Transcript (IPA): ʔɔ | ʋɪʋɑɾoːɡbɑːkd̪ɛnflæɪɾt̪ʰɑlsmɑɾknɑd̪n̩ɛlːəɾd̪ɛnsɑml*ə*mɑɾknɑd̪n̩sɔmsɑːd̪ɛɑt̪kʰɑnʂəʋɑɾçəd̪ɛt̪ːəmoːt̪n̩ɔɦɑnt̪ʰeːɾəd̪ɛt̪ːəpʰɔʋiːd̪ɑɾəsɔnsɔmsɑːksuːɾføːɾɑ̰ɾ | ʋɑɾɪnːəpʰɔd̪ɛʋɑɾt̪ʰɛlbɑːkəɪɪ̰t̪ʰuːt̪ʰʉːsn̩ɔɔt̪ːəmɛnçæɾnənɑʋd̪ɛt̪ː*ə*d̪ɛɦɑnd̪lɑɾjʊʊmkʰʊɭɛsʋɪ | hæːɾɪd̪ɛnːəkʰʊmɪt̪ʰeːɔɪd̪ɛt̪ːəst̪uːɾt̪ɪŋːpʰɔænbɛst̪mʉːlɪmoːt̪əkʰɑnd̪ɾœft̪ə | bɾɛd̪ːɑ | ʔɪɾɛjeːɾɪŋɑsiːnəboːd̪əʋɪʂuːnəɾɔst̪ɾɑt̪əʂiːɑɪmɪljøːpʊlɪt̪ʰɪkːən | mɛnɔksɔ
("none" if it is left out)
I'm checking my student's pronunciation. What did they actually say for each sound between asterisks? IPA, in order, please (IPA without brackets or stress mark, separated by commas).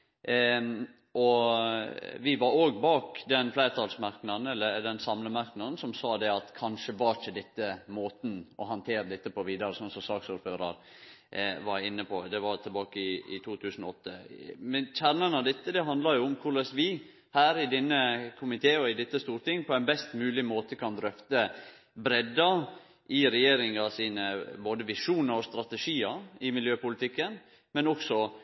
ə, ə